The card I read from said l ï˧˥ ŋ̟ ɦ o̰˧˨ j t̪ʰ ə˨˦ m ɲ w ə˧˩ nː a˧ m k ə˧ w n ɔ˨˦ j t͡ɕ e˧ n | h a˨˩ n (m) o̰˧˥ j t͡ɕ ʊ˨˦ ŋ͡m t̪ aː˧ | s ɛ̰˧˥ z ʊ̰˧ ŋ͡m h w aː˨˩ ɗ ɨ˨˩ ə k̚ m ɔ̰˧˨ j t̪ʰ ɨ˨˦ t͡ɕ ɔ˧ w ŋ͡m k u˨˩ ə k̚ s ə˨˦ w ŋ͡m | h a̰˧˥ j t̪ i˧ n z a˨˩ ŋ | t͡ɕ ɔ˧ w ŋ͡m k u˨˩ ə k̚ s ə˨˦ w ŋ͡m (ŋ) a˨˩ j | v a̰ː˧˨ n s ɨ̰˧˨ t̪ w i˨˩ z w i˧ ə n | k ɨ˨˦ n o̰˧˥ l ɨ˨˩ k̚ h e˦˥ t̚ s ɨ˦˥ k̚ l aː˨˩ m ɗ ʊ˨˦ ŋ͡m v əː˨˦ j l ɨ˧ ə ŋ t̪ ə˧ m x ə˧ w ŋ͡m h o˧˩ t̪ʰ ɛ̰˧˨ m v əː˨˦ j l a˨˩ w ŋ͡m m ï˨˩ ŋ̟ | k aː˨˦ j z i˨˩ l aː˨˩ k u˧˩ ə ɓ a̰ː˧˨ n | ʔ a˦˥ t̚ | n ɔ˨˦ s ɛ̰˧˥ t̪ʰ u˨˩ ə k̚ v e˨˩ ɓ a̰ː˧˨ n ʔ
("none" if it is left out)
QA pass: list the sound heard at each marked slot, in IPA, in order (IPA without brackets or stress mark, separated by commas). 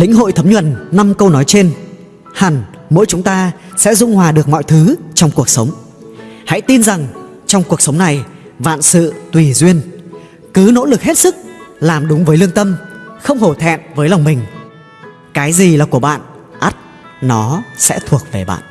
m, n